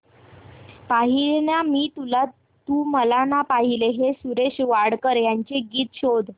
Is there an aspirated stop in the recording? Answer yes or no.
no